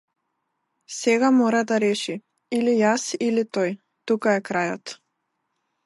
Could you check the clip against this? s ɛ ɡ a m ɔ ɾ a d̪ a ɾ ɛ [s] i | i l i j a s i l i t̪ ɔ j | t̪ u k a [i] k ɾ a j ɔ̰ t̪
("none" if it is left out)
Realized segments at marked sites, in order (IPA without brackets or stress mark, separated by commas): ʃ, ɛ